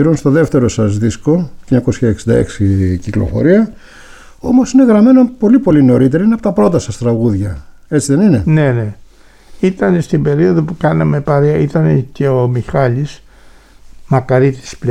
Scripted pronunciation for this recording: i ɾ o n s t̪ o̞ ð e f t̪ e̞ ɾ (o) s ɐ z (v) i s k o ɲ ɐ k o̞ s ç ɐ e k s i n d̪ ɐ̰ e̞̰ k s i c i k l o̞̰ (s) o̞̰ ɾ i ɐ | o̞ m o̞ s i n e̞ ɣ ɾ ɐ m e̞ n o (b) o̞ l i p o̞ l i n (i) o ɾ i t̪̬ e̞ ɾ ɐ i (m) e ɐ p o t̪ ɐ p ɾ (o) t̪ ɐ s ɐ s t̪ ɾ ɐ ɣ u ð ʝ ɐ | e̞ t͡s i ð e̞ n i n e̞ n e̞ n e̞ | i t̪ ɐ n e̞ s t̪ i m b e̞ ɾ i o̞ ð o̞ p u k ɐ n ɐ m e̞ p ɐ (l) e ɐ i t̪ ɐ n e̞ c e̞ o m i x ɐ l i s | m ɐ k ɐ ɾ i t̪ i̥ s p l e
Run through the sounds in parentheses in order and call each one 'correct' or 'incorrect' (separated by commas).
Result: correct, incorrect, incorrect, incorrect, incorrect, incorrect, correct, incorrect